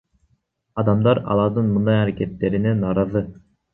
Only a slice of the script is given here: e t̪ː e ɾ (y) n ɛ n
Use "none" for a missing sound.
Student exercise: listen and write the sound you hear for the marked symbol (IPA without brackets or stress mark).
i